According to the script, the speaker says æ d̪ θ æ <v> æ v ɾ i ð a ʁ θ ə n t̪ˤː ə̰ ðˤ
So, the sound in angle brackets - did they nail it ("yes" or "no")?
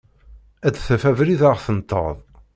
no